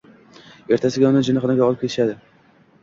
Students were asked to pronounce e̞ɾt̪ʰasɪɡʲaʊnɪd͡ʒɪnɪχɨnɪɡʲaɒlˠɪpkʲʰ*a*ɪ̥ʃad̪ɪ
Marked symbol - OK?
no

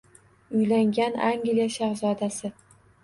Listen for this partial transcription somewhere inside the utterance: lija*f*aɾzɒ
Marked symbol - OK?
no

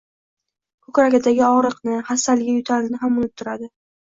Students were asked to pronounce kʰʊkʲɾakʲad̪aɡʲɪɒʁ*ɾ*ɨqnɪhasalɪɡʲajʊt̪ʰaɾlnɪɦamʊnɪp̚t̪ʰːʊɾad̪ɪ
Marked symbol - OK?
yes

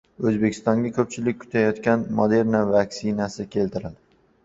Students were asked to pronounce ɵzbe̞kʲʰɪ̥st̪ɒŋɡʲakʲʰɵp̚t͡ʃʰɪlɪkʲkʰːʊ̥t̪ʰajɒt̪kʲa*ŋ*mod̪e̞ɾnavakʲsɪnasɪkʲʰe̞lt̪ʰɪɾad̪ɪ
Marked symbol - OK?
no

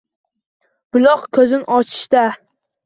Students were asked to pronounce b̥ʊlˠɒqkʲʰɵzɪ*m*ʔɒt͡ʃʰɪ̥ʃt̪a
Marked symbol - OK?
no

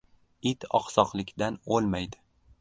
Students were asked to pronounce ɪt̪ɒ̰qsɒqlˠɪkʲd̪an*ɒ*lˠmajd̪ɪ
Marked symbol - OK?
no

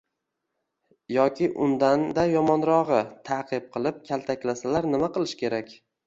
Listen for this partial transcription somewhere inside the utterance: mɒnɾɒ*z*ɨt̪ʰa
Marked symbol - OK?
no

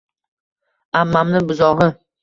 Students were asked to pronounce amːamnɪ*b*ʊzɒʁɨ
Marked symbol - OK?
yes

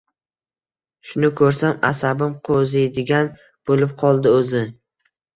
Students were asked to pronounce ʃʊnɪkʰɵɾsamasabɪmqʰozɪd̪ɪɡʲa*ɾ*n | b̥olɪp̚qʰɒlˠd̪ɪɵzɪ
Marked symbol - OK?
no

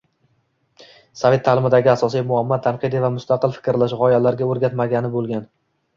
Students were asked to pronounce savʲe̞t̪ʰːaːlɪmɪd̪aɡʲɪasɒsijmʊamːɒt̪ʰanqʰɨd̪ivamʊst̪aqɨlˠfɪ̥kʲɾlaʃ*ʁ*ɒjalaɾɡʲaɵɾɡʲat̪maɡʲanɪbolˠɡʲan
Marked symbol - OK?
yes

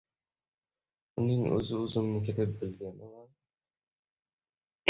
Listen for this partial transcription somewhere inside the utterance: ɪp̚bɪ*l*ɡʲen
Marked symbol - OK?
yes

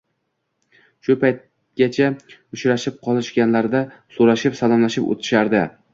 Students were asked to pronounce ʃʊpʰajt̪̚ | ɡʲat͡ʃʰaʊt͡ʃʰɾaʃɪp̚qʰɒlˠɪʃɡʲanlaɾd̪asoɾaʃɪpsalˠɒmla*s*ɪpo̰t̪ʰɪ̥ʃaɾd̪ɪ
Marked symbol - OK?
no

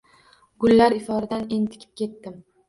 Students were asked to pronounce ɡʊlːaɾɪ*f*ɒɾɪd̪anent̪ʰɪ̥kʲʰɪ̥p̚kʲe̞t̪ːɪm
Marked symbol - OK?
yes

